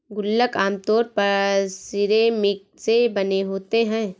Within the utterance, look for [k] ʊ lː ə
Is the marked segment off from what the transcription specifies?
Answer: yes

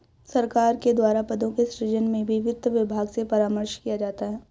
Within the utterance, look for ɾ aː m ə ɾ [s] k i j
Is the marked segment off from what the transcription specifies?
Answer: yes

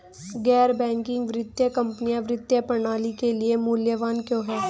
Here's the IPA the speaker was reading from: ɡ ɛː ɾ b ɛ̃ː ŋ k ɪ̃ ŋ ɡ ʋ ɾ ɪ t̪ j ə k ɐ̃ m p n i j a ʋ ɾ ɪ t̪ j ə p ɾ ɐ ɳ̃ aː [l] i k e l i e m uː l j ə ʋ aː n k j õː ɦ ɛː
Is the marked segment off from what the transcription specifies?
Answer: no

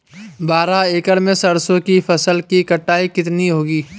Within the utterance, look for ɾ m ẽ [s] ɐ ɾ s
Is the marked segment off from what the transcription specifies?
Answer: no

